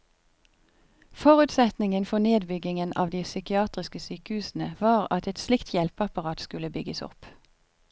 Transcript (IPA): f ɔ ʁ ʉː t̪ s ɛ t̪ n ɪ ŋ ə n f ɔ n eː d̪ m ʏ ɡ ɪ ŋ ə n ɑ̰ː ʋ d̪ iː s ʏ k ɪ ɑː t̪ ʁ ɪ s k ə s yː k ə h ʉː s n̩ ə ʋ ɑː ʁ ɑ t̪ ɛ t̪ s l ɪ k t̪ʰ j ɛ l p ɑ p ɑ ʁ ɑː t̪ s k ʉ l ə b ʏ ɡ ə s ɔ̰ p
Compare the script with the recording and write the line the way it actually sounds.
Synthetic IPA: f ɔ ʁ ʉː t̪ s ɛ t̪ n ɪ ŋ ə n f ɔ n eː d̪ b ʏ ɡ ɪ ŋ ə n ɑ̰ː ʋ d̪ iː s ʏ k ɪ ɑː t̪ ʁ ɪ s k ə s yː k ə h ʉː s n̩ ə ʋ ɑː ʁ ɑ t̪ ɛ t̪ s l ɪ k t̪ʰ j ɛ l p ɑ p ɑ ʁ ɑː t̪ s k ʉ l ə b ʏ ɡ ə s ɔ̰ p